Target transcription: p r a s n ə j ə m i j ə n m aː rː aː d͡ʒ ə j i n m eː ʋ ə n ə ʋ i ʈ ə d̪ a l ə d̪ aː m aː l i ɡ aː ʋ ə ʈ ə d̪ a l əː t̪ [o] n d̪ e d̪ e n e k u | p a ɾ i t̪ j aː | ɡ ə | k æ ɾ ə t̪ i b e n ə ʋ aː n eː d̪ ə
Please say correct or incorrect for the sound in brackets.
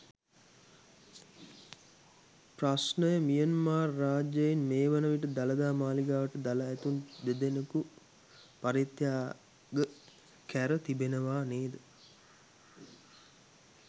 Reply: incorrect